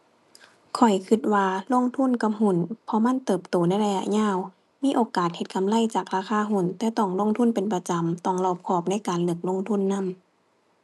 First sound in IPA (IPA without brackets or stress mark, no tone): kʰ